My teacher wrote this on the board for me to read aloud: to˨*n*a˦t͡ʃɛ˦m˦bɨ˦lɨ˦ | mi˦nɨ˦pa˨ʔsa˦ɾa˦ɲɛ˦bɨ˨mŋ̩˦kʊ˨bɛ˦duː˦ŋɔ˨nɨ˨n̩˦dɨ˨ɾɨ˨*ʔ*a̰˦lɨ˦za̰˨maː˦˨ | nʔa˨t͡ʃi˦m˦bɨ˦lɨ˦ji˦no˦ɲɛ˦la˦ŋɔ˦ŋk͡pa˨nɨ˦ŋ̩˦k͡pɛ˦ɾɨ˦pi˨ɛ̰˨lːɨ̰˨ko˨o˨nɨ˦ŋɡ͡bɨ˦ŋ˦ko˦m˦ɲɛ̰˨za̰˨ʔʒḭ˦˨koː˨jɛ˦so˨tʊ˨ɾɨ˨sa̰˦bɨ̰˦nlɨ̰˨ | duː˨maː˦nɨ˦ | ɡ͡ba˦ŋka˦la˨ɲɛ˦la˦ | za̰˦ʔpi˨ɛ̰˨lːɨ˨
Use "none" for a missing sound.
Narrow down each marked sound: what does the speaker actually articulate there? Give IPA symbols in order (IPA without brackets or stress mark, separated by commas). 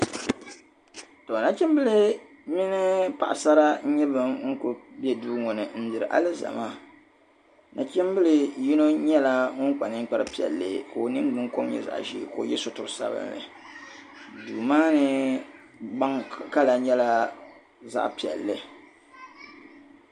n, ʔ